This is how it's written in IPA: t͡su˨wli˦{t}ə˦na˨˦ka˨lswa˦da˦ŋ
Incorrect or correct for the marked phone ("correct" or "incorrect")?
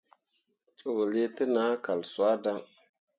correct